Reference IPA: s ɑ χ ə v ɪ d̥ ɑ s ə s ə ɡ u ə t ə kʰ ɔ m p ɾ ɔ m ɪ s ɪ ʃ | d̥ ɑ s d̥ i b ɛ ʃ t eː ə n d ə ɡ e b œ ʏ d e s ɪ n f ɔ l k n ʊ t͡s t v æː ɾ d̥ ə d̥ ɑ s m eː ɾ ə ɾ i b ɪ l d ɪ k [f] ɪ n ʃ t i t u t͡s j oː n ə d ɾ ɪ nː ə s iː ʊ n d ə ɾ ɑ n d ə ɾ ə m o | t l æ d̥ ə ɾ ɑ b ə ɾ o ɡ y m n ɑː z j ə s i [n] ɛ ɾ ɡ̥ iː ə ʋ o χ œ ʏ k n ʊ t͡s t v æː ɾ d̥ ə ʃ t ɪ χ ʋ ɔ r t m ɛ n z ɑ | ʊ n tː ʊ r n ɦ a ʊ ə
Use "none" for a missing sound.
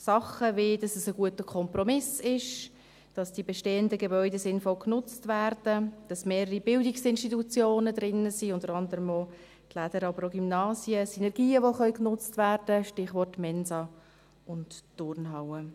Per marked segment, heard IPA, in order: s, n

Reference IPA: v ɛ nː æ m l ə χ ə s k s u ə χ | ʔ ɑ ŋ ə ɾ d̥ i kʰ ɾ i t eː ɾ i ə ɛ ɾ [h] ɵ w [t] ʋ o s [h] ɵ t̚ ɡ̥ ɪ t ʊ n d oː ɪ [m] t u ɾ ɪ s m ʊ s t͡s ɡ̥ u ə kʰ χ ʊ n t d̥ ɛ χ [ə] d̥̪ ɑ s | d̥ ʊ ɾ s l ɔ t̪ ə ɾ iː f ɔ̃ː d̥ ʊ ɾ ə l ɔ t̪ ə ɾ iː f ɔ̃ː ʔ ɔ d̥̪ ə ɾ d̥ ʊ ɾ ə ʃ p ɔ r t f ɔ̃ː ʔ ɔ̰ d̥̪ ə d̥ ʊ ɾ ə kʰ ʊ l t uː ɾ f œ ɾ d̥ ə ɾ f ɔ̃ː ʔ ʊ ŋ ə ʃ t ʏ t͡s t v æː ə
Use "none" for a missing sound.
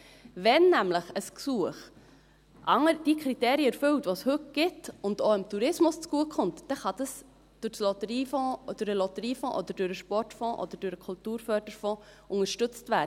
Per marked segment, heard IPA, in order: f, t, h, m, ɑ

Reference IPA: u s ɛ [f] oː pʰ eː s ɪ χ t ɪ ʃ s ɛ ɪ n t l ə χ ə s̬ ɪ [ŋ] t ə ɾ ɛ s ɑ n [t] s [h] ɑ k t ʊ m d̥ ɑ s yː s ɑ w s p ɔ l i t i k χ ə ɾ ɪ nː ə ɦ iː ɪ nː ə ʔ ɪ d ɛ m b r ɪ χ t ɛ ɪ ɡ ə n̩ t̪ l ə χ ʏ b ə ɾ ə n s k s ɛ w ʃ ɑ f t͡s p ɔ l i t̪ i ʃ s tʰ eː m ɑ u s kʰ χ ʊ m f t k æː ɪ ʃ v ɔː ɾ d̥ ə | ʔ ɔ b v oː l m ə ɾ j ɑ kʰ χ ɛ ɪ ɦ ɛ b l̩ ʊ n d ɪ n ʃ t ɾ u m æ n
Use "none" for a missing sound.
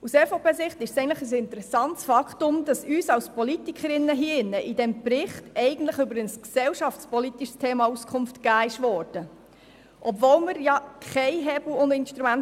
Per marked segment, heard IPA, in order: f, n, t, f

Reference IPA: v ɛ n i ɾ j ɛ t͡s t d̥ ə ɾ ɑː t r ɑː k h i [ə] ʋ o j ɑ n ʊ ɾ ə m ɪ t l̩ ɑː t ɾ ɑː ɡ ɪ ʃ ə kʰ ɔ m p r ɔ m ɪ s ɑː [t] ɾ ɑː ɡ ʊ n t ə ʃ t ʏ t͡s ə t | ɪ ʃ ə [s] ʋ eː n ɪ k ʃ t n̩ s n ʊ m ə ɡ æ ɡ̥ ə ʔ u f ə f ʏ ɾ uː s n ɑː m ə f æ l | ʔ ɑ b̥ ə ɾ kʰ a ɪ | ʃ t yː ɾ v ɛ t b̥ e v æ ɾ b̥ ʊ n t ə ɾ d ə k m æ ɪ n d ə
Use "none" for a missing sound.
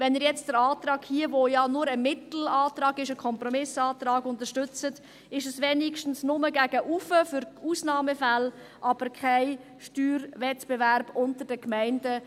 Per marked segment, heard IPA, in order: ə, t, s

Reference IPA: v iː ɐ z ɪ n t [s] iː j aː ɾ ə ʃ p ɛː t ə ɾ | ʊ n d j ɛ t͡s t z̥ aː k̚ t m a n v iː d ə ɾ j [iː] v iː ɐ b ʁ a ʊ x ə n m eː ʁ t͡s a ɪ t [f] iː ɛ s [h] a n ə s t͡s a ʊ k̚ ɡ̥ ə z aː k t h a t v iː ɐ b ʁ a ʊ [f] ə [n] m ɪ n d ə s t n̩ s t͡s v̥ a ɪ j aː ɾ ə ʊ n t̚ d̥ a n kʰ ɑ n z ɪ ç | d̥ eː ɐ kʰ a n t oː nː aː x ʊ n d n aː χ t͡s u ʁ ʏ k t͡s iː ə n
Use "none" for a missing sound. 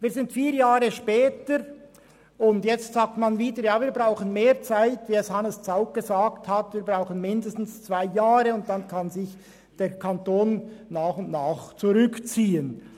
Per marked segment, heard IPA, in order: f, aː, v, h, x, n

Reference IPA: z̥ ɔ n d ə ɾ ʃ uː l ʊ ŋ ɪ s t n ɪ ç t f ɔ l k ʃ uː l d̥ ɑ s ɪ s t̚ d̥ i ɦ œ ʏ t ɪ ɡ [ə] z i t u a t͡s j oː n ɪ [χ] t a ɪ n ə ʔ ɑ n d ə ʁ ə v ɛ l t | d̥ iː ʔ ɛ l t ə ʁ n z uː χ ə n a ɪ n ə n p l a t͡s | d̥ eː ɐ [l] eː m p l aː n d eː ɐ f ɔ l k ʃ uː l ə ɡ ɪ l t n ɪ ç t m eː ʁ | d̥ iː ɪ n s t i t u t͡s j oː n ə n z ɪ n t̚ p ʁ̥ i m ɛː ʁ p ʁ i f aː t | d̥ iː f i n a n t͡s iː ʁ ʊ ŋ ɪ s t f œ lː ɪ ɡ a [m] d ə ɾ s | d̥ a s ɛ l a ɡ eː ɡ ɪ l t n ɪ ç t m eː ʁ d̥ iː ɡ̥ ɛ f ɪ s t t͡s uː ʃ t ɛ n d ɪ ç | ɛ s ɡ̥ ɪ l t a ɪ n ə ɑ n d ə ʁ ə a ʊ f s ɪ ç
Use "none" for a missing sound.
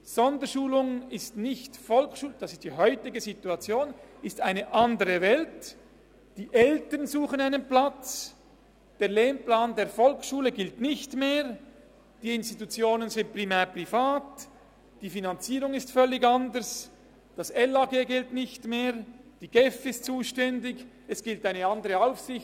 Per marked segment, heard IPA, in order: ə, s, l, n

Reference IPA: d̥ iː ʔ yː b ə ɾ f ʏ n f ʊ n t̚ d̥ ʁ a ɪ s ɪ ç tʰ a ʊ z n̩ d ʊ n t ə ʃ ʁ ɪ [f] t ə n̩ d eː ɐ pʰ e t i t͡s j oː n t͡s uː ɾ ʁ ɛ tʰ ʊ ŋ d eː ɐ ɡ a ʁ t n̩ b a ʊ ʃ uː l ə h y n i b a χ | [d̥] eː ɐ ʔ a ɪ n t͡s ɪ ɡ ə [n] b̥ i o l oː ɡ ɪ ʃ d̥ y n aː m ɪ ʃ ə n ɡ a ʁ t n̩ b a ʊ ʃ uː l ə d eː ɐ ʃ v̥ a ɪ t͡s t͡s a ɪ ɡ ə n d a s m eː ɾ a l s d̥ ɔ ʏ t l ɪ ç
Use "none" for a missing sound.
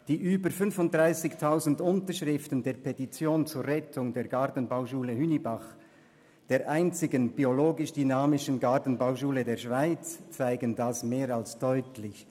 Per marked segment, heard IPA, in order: f, d̥, n

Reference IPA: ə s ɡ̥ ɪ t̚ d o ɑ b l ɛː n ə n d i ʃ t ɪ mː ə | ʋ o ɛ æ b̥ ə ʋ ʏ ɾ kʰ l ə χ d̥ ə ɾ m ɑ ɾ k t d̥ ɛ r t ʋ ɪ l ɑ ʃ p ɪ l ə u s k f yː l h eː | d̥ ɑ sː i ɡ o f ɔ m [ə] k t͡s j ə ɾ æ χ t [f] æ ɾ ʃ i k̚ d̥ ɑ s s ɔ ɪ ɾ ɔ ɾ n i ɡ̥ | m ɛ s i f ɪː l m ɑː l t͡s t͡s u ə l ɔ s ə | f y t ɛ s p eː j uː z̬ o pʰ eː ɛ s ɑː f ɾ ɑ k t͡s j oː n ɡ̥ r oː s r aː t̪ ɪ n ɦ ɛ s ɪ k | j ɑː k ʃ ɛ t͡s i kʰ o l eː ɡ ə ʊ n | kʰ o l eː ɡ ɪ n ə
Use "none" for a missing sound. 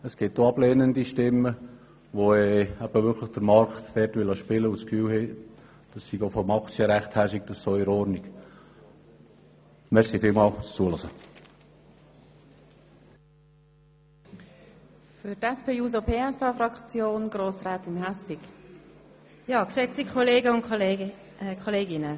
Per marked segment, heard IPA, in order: ɑ, h

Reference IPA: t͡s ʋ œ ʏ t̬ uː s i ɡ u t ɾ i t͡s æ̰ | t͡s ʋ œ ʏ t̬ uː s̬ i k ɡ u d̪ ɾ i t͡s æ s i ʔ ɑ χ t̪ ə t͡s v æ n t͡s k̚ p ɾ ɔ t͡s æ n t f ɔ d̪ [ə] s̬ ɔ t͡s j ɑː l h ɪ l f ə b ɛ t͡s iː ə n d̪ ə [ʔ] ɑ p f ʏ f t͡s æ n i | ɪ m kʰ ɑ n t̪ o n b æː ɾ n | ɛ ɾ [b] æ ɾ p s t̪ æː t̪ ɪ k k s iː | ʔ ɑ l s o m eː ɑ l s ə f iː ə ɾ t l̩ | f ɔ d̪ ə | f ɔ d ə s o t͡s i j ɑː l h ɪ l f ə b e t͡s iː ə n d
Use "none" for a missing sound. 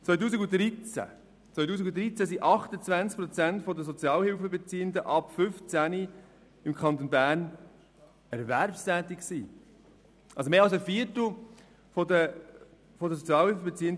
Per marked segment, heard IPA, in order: ə, ʔ, v

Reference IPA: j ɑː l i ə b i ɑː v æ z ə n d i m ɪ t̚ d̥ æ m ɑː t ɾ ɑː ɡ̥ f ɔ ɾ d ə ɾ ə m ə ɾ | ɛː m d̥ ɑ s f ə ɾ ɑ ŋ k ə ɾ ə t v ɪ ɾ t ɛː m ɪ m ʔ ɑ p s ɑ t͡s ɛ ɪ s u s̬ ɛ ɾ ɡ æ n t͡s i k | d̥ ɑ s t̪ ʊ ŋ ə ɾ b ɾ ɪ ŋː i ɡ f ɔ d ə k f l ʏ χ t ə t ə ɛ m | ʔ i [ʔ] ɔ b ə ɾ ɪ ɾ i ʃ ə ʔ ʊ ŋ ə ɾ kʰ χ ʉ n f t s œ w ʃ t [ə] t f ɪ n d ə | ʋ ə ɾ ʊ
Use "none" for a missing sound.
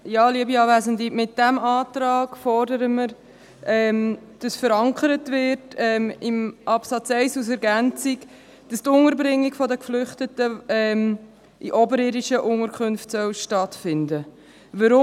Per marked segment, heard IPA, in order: ʔ, ɑ

